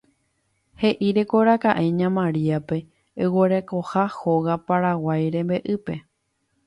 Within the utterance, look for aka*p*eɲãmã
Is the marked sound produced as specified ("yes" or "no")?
no